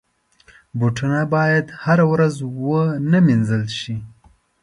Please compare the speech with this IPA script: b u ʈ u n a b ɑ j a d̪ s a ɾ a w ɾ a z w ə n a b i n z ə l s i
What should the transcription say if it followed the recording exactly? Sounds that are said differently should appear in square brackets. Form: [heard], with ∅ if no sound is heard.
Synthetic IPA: b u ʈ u n a b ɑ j a d̪ [h] a ɾ a w ɾ a z w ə n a [m] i n z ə l [ʃ] i